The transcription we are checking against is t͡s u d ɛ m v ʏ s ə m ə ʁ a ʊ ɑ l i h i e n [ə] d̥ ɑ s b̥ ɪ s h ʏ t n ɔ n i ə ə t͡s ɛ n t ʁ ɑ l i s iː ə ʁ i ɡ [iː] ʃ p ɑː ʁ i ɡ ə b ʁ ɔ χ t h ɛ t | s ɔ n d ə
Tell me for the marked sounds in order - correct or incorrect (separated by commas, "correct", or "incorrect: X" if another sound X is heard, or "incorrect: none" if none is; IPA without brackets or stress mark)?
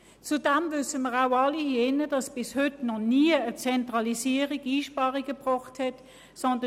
correct, correct